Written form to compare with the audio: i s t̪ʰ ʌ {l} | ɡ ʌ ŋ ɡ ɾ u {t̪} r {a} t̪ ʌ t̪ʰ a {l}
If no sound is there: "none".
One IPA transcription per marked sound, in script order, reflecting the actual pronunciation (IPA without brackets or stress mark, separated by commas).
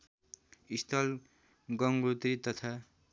l, t̪, i, none